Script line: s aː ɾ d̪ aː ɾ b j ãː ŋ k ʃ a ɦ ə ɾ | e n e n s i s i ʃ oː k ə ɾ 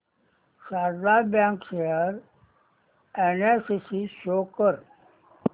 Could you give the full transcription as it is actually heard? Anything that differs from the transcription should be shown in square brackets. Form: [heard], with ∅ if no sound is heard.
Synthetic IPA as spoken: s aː ɾ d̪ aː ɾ b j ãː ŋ k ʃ [e] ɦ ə ɾ | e n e [∅] s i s i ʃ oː k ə ɾ